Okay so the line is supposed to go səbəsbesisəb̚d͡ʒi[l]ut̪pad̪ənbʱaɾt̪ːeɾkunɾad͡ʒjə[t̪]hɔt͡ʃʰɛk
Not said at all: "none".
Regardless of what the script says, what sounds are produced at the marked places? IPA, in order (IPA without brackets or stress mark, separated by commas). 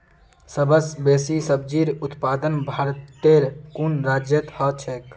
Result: ɾ, t̪